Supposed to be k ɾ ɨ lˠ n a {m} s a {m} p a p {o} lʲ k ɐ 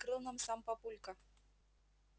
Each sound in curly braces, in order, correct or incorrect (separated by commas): correct, correct, incorrect